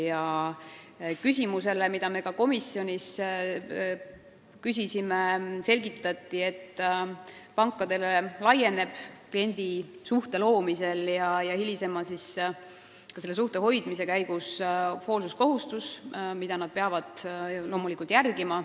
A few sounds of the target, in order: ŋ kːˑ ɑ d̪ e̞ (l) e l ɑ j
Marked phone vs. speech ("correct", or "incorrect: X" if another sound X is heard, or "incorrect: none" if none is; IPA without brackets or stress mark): correct